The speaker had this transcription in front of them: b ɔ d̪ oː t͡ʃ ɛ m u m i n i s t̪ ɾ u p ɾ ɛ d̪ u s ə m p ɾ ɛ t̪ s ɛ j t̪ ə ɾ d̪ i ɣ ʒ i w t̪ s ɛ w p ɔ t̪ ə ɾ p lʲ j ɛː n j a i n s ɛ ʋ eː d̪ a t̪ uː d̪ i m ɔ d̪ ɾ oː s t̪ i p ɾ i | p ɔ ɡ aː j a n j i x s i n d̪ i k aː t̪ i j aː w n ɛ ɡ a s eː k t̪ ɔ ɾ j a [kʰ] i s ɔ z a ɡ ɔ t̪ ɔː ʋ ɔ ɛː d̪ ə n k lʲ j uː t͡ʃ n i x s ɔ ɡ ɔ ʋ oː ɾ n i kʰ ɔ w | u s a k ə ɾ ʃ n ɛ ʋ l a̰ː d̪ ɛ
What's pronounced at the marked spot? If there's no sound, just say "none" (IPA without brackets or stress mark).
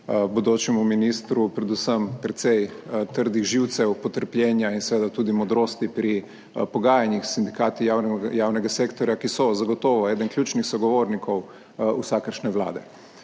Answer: k